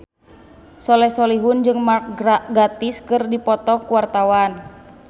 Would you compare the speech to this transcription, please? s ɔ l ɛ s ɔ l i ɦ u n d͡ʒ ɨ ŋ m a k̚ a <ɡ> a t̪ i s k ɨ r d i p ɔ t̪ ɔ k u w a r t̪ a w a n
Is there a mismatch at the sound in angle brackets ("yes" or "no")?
no